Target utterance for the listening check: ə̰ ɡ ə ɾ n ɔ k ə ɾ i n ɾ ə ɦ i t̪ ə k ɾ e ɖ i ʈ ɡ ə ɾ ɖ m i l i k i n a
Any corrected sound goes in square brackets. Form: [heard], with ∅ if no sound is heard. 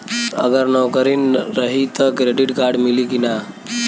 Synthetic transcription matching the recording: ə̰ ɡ ə ɾ n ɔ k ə ɾ i n ɾ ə ɦ i t̪ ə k ɾ e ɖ i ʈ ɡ [a] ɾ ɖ m i l i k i n a